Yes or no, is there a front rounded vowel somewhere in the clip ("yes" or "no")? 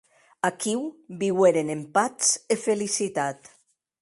no